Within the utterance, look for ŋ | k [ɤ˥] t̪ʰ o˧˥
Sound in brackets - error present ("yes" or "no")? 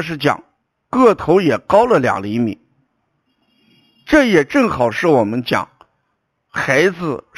yes